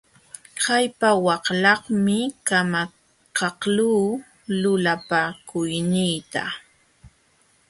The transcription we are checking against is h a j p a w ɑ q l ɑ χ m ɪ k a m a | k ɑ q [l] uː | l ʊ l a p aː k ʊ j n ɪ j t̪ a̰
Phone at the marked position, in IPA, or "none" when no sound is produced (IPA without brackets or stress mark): l